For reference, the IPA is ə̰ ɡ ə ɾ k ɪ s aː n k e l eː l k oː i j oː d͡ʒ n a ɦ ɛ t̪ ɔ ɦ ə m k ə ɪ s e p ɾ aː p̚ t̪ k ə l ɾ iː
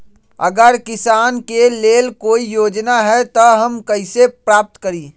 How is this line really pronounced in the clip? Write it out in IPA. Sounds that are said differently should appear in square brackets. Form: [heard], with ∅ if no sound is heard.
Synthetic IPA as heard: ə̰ ɡ ə ɾ k ɪ s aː n k e l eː l k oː i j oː d͡ʒ n a ɦ ɛ t̪ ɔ ɦ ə m k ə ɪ s e p ɾ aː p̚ t̪ k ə [∅] ɾ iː